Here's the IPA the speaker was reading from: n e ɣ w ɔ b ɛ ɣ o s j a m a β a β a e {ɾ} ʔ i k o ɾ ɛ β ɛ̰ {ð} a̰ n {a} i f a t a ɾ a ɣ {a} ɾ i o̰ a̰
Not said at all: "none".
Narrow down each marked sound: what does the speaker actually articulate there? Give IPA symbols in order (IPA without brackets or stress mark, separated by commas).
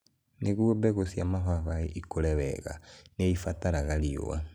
none, ɣ, e, a